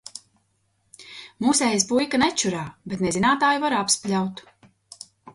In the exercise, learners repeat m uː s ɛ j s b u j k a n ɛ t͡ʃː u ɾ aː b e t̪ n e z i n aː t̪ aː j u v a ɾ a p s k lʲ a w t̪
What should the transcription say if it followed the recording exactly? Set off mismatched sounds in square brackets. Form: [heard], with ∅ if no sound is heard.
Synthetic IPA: m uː s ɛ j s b u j k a n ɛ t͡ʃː u ɾ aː b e t̪ n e z i n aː t̪ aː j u v a ɾ a p s [p] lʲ a w t̪